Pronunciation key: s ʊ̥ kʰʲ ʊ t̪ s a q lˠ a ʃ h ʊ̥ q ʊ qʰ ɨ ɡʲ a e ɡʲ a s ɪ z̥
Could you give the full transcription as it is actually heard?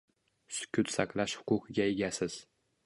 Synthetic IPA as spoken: s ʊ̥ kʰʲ ʊ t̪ s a q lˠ a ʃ h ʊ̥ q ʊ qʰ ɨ ɡʲ a e ɡʲ a s ɪ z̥